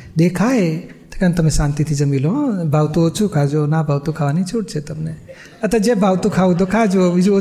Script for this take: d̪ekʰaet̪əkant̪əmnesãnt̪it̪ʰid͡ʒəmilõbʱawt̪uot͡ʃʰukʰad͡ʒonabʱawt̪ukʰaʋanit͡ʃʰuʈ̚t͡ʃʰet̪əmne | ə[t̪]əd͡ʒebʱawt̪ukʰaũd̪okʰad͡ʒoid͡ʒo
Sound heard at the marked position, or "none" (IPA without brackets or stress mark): t̪